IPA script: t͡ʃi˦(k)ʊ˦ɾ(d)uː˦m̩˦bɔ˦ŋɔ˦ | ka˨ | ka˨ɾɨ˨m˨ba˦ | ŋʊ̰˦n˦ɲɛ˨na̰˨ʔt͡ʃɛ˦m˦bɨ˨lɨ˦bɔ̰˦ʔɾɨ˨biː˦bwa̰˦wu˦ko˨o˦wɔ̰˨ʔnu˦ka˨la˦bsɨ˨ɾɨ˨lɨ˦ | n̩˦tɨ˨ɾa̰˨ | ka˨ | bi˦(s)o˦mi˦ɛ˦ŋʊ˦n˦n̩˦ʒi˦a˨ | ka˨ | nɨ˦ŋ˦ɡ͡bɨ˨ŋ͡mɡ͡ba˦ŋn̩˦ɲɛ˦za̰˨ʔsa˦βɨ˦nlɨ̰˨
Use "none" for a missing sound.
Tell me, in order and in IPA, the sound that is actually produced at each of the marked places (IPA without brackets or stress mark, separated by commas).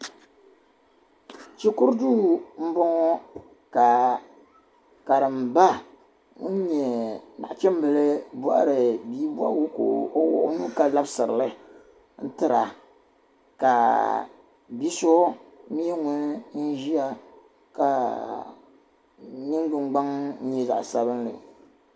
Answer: k, d, s